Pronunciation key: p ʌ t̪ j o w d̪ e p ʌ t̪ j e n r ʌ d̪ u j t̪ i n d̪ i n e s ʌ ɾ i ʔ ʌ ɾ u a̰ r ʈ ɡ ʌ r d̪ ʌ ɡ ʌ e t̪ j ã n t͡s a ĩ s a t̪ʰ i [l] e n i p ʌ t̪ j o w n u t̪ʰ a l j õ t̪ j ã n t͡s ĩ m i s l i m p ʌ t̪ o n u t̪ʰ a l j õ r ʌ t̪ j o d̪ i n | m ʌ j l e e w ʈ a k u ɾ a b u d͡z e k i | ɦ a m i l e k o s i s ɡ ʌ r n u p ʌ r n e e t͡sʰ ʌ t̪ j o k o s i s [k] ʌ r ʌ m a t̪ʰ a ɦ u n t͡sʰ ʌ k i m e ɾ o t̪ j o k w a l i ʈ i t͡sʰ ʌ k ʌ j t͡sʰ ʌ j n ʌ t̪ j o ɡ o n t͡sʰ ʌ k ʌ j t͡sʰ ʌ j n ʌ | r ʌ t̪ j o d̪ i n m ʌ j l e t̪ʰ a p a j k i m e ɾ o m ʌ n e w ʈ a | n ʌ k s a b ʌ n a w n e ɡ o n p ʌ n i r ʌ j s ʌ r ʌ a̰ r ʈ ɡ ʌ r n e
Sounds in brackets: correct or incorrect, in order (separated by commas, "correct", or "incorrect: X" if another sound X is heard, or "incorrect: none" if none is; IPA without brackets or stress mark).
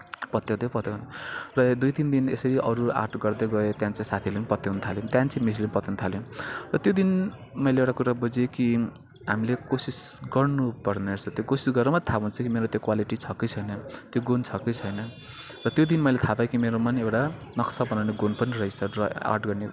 correct, incorrect: ɡ